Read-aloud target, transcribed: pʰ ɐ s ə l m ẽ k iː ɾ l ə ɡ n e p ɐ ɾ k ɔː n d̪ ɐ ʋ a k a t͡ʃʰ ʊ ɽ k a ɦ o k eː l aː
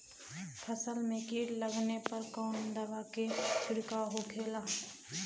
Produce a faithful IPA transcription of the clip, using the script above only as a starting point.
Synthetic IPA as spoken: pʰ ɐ s ə l m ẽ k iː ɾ l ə ɡ n e p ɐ ɾ k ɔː n d̪ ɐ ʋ a k e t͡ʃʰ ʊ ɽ k a ɦ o kʰ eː l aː